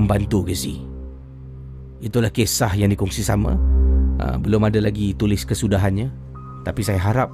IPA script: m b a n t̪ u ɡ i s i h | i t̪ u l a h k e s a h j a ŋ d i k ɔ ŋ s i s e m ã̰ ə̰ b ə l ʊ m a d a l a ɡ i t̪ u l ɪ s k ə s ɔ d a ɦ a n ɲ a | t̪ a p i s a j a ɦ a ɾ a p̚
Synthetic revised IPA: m b a n t̪ u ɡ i s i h | i t̪ u l a h k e s a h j a ŋ d i k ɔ ŋ s i s a m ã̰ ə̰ b ə l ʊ m a d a l a ɡ i t̪ u l ɪ s k ə s u d a ɦ a n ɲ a | t̪ a p i s a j a ɦ a ɾ a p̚